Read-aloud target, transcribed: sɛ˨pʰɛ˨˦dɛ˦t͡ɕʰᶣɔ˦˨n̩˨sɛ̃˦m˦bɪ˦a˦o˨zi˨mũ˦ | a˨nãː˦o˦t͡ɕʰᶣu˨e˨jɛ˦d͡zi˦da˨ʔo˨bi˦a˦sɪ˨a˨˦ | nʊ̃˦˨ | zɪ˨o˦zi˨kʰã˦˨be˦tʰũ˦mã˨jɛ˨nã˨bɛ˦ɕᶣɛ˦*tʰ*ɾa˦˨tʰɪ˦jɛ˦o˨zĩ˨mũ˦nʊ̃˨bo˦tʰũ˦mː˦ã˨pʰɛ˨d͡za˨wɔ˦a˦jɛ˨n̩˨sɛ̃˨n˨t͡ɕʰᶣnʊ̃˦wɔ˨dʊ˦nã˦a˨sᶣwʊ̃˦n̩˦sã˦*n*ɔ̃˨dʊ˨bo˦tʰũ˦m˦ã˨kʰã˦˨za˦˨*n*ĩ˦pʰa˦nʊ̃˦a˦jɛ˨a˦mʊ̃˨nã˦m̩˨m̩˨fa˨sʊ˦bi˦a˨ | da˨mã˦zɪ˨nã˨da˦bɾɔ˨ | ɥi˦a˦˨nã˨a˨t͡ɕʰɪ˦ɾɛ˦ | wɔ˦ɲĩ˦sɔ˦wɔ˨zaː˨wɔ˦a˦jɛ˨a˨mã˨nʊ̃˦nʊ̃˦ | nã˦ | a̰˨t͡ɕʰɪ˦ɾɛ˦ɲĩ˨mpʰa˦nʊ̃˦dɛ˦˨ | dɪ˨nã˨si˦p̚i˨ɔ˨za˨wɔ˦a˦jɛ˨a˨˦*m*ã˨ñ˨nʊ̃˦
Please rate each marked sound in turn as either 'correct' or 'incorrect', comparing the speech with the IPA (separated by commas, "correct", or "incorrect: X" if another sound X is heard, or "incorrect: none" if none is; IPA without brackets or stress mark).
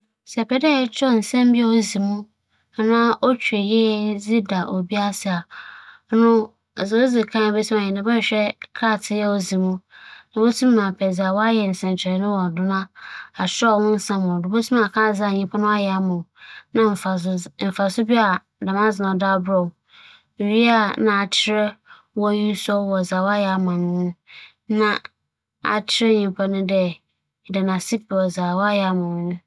incorrect: kʰ, incorrect: m, incorrect: ɲ, correct